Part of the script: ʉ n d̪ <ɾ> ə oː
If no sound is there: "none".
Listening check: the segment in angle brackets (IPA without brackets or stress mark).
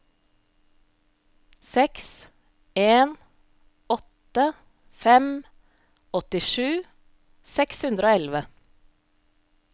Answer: ɾ